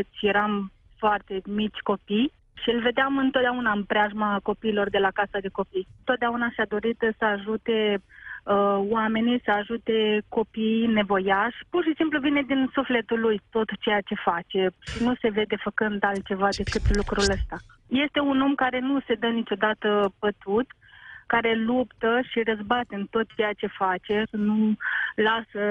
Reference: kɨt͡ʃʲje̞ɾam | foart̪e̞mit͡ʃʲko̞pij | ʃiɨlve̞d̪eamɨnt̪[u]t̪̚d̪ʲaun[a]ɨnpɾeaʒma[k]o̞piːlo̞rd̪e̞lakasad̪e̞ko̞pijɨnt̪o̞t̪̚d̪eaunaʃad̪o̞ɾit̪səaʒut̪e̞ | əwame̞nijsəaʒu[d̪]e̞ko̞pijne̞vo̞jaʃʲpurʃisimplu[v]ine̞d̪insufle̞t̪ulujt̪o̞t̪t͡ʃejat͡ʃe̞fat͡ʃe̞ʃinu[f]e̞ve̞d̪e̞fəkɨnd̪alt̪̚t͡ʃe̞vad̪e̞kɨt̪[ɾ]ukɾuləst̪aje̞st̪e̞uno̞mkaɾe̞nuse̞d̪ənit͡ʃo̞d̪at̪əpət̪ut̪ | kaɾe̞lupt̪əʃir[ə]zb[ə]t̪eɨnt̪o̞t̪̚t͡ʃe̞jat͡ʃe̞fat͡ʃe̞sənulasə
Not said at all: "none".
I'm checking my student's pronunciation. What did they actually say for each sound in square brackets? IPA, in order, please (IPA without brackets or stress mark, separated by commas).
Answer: o, a, k, t̪, v, s, l, ə, a